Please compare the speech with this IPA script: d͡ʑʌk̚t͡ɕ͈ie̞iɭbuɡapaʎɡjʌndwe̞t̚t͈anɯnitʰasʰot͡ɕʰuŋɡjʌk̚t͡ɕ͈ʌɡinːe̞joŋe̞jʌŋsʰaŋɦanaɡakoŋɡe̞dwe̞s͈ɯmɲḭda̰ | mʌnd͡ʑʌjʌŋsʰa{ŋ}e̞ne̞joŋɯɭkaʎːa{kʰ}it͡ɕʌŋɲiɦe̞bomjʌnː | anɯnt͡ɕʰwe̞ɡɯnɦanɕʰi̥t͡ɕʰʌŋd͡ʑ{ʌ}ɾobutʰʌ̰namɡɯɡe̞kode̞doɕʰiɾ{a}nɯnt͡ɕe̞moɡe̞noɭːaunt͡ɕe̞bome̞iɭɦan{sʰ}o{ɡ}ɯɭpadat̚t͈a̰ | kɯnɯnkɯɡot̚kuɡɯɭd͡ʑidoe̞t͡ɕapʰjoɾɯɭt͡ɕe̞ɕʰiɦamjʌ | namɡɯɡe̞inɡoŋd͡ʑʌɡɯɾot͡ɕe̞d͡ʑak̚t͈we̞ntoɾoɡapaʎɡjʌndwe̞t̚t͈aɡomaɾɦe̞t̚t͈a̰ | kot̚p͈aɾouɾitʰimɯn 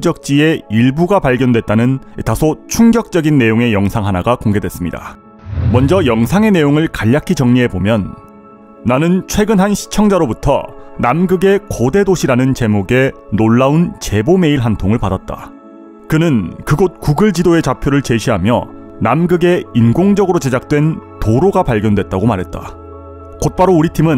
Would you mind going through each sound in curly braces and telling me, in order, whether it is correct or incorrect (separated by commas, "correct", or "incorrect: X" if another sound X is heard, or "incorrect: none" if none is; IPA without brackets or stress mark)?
correct, correct, incorrect: a, correct, incorrect: tʰ, incorrect: ŋ